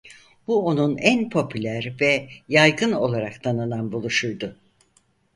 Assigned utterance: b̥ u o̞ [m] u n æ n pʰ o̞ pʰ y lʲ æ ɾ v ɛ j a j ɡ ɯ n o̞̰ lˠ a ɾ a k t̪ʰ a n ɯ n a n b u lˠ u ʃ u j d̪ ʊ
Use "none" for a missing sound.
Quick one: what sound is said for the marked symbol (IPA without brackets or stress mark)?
n